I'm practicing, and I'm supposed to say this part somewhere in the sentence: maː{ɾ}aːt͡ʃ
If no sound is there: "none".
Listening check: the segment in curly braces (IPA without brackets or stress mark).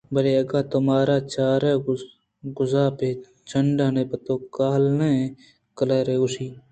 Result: ɾ